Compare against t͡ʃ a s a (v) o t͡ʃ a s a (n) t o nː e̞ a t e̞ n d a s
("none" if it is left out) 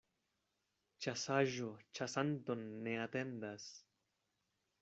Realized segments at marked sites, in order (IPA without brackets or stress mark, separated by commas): ʒ, n